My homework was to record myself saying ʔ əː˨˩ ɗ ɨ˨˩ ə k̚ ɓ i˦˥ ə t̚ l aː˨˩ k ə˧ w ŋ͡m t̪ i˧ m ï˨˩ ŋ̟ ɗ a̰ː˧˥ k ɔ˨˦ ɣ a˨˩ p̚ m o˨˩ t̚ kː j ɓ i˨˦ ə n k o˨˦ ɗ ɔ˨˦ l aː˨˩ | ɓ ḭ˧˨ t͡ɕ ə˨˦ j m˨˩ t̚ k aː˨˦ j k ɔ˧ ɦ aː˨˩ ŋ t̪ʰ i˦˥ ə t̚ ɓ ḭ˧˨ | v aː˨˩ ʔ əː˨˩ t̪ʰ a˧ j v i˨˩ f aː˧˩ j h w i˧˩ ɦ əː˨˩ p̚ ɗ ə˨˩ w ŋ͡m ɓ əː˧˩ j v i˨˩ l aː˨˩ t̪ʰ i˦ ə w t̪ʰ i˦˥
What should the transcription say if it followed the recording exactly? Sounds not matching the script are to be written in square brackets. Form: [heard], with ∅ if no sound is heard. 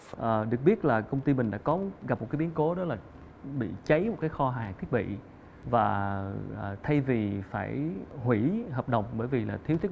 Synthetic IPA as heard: ʔ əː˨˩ ɗ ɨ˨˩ ə k̚ ɓ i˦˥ ə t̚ l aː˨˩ k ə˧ w ŋ͡m t̪ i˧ m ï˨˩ ŋ̟ ɗ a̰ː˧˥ k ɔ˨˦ ɣ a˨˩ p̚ m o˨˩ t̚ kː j ɓ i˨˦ ə n k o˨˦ ɗ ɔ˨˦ l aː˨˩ | ɓ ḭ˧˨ t͡ɕ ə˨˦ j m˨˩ t̚ k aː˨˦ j [x] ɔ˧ ɦ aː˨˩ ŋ t̪ʰ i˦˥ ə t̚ ɓ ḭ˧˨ | v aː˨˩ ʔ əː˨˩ t̪ʰ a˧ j v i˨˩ f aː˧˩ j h w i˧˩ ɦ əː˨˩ p̚ ɗ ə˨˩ w ŋ͡m ɓ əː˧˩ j v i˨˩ l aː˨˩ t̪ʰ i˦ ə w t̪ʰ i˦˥